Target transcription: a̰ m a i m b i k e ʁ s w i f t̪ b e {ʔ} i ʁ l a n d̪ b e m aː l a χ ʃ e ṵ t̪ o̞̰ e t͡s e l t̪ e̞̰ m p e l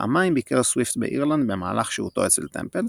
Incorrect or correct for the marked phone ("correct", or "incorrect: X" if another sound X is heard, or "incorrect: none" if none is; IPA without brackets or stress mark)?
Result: correct